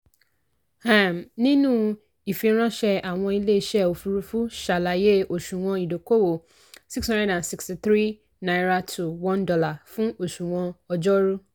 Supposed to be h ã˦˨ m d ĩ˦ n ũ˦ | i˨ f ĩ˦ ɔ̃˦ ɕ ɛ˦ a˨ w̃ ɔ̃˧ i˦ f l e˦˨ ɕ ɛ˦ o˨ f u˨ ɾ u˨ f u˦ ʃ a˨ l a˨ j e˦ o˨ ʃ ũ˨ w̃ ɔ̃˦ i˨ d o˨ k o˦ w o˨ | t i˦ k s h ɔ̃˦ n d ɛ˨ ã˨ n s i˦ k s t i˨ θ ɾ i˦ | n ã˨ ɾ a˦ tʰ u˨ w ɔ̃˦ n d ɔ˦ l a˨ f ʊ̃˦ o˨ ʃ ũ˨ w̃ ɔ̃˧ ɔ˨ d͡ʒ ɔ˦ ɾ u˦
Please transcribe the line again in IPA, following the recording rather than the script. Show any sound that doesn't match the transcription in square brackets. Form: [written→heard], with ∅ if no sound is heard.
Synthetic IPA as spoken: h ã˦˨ m [d→n] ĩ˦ n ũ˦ | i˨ f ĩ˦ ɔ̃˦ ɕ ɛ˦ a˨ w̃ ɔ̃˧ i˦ [f→∅] l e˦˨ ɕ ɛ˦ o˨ f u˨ ɾ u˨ f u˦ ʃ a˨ l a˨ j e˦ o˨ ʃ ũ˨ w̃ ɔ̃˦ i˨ d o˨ k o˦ w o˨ | [t→s] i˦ k s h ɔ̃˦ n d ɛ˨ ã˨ n s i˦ k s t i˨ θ ɾ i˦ | n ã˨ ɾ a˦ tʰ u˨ w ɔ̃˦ n d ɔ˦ l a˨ f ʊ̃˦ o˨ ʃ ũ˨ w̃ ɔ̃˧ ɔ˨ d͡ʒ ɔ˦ ɾ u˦